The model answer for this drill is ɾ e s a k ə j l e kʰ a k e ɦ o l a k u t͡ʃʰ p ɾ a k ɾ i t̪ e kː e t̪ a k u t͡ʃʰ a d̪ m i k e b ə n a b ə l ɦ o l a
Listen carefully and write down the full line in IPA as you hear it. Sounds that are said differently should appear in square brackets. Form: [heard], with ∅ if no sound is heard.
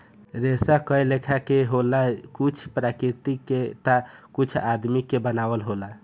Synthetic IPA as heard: ɾ e s a k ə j l e kʰ a k e ɦ o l a k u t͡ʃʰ p ɾ a k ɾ i t̪ [i] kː e t̪ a k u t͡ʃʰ a d̪ m i k e b ə n a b ə l ɦ o l a